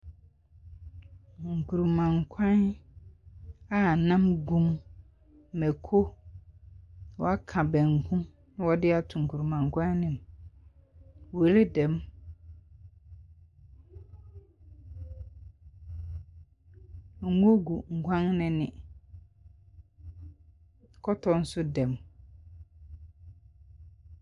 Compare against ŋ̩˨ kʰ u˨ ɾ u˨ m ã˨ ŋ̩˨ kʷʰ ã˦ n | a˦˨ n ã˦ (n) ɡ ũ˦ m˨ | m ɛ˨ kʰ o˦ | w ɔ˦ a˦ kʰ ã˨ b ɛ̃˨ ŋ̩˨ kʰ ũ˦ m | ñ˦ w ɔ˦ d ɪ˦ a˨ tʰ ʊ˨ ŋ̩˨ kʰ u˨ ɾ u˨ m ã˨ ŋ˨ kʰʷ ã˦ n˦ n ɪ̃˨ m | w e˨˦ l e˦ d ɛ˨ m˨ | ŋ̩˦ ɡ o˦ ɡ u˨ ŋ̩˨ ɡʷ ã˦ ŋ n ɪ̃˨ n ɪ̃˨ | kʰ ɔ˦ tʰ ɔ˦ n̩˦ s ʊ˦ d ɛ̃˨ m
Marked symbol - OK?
no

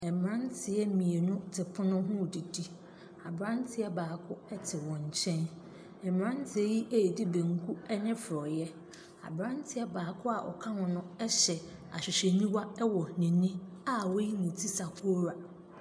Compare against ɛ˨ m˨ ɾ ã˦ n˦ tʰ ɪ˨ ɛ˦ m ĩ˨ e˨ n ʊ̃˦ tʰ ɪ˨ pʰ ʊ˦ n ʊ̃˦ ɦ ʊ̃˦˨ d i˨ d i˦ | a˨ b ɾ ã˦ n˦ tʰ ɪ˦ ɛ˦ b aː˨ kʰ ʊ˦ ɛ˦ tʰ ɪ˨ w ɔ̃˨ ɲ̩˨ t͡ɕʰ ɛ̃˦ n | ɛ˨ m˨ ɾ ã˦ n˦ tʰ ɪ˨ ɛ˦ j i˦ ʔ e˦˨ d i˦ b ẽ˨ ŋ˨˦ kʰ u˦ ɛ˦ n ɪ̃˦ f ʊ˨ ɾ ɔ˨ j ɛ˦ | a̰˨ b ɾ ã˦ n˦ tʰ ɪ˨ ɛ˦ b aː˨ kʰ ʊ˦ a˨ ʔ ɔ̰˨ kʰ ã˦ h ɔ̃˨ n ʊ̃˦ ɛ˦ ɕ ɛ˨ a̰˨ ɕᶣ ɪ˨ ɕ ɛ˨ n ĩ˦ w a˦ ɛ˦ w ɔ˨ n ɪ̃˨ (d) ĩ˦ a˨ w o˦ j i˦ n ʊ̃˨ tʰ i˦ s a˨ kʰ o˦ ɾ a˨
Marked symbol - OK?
no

